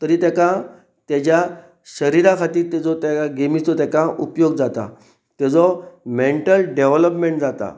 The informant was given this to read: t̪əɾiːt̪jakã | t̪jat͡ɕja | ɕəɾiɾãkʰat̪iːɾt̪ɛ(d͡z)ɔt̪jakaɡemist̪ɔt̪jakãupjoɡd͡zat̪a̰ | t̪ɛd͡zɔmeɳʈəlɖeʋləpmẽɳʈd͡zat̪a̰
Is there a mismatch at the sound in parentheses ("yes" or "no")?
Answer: no